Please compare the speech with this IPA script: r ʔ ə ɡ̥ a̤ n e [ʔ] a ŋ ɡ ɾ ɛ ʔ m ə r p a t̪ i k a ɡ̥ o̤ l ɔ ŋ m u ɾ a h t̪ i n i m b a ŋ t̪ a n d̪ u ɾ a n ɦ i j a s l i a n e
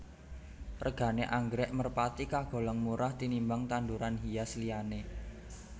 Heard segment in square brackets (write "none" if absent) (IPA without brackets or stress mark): ʔ